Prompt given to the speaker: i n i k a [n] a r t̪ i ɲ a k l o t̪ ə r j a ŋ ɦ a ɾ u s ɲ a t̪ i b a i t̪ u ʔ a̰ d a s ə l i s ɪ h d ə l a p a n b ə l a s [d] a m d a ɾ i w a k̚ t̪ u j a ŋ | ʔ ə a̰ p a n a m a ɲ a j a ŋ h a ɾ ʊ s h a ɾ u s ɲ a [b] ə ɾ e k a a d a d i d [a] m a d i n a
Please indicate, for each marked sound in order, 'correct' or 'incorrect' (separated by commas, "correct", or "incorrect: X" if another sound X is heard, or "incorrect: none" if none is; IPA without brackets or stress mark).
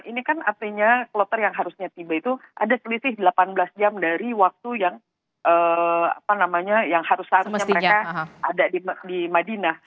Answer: correct, incorrect: d͡ʒ, incorrect: m, incorrect: i